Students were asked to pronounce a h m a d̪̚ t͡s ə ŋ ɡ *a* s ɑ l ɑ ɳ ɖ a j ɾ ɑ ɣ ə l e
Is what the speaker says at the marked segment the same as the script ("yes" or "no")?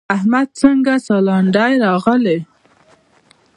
yes